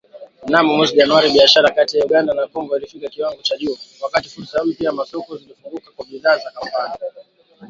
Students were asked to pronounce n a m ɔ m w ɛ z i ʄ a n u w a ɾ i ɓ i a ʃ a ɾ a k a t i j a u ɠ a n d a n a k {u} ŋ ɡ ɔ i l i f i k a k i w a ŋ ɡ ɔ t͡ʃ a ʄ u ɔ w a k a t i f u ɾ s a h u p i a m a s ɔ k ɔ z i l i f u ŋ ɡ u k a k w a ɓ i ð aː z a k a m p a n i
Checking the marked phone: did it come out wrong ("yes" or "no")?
yes